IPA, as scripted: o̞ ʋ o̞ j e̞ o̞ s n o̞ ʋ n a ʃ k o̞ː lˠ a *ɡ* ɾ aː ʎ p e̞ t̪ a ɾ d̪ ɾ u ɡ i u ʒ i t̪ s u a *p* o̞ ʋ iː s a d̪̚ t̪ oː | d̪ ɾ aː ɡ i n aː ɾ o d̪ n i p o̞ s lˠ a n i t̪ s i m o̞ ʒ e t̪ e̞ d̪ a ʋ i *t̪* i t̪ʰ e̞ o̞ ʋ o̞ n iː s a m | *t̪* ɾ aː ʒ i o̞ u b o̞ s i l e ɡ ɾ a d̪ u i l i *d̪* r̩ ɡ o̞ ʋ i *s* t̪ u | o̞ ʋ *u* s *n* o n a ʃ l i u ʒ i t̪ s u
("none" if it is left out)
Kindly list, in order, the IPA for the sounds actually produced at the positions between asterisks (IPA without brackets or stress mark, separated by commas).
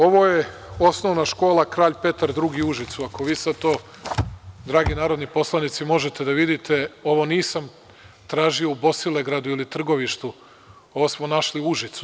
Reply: k, k, d̪, t̪, t̪, ʃ, o, m